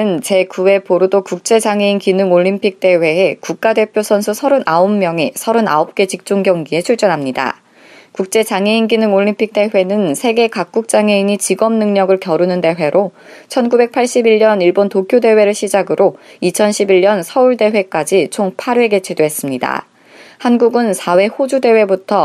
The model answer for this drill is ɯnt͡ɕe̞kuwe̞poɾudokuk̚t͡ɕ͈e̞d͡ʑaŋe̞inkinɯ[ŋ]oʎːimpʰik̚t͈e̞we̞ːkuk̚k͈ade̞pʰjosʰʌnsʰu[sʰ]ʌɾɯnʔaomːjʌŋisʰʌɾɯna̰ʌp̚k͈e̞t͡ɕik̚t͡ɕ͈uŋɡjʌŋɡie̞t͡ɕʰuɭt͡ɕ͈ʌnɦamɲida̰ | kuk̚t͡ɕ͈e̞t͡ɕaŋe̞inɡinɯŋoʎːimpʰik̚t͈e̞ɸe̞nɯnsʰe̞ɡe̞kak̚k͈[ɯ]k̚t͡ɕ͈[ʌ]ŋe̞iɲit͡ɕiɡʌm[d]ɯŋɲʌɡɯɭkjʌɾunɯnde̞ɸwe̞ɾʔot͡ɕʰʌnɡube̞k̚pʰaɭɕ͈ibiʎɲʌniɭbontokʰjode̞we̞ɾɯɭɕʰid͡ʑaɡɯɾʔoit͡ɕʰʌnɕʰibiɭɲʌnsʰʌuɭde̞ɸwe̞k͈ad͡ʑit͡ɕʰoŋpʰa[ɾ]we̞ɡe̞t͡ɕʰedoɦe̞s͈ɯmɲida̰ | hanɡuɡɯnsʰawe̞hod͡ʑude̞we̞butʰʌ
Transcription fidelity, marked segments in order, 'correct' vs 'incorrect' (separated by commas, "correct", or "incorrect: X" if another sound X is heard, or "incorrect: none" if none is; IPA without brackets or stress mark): correct, correct, incorrect: u, incorrect: a, incorrect: n, correct